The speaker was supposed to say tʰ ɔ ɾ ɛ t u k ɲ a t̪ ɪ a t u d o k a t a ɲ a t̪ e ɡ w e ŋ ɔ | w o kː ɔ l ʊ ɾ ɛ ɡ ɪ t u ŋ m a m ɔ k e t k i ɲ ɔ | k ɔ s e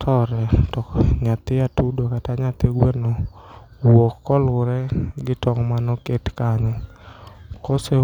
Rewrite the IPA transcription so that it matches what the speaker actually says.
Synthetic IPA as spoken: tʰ ɔ ɾ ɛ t ɔ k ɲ a t̪ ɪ a t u d o k a t a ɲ a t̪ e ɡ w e n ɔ | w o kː ɔ l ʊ ɾ ɛ ɡ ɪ t ɔ ŋ m a n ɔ k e t k a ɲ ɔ | k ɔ s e